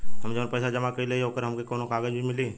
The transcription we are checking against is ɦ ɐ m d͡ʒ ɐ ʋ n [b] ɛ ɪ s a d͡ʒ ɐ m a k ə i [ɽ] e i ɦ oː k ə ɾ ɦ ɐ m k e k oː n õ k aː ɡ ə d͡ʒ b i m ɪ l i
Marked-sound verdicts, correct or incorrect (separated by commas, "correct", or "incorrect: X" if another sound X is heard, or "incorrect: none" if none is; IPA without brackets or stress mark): incorrect: p, incorrect: l